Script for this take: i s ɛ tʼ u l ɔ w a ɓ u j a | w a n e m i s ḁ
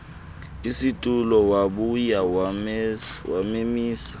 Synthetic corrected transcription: i s i tʼ u l ɔ w a ɓ u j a | w a m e m iː s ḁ